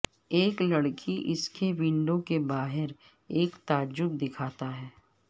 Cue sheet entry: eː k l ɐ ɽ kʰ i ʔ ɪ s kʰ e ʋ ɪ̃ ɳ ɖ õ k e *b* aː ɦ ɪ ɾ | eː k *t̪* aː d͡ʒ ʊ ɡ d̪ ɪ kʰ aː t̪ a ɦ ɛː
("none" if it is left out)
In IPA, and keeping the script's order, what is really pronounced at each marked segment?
b, t̪

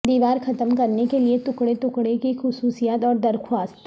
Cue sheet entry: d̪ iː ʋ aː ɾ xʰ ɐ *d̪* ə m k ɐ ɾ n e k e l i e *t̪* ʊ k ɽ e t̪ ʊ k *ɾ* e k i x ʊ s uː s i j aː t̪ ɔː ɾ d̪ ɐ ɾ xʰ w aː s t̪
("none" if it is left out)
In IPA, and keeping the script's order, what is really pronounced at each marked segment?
t̪, t̪, ɽ

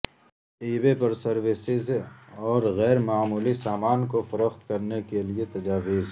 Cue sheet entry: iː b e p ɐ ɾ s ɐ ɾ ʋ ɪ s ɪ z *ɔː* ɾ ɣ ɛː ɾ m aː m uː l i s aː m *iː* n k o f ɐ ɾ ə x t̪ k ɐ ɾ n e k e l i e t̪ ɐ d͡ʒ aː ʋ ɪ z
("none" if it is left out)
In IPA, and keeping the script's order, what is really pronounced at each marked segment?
ɔː, aː

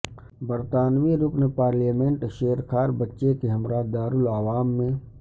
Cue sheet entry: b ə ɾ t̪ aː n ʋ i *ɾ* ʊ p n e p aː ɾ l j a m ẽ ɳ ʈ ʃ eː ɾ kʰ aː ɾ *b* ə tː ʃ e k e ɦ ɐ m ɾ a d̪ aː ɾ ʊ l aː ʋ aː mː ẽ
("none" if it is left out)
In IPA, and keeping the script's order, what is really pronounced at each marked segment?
ɾ, b

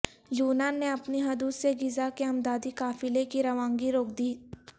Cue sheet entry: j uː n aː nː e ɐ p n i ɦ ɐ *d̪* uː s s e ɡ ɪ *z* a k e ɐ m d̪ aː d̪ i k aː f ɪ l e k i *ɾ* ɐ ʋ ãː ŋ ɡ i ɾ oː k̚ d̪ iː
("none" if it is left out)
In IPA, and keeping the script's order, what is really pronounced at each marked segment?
d̪, z, ɾ

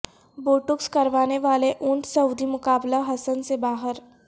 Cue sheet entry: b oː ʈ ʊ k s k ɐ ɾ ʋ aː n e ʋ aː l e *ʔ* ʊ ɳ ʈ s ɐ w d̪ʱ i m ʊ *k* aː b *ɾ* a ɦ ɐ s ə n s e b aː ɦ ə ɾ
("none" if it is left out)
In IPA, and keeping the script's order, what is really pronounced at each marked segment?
ʔ, k, l

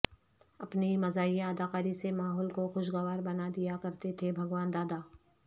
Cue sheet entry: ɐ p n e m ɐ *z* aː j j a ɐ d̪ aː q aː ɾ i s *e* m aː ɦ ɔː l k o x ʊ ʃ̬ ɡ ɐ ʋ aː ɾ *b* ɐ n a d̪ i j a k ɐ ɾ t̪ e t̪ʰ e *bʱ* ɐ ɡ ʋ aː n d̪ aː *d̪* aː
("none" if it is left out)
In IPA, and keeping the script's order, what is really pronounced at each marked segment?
z, e, b, bʱ, d̪

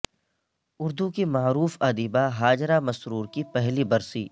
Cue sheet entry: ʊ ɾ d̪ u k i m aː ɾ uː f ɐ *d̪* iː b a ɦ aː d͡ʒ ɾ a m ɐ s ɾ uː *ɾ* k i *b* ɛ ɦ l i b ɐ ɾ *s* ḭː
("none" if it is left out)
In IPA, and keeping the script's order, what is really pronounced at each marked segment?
d̪, ɾ, p, s

